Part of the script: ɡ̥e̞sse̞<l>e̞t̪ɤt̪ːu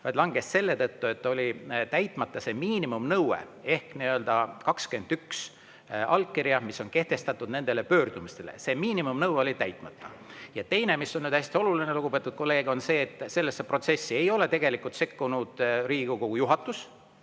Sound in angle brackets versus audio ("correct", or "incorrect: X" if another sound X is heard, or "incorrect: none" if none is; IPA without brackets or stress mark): incorrect: lː